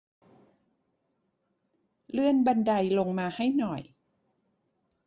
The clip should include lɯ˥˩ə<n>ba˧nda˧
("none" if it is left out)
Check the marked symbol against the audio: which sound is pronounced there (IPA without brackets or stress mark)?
n